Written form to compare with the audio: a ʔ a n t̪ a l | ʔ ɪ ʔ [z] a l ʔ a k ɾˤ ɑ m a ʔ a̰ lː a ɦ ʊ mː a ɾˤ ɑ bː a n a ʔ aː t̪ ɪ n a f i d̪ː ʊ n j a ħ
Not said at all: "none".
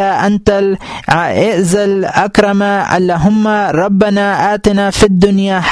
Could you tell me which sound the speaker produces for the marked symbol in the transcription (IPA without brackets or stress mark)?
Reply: z